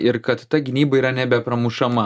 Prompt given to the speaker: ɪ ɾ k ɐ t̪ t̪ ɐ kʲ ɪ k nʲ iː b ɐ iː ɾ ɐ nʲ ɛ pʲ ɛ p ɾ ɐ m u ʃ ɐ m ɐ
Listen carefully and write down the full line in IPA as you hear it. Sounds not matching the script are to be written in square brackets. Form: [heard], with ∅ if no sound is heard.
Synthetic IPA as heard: ɪ ɾ k ɐ t̪ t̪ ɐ [ɡʲ] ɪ [∅] nʲ iː b ɐ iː ɾ ɐ nʲ ɛ [bʲ] ɛ p ɾ ɐ m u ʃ ɐ m ɐ